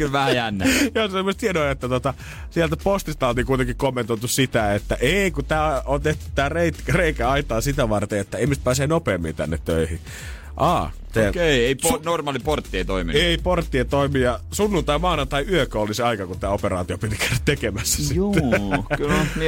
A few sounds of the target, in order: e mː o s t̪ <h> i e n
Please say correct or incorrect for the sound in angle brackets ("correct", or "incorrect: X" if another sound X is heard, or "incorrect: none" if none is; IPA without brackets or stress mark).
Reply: correct